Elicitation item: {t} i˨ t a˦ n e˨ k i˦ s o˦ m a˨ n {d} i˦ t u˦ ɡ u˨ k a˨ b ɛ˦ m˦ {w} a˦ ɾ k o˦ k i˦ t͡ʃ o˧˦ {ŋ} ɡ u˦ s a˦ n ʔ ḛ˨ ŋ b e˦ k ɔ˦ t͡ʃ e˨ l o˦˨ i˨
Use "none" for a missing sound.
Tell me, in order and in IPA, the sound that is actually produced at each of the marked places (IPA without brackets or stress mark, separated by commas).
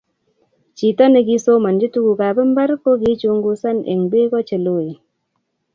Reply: t͡ʃ, d͡ʒ, b, ŋ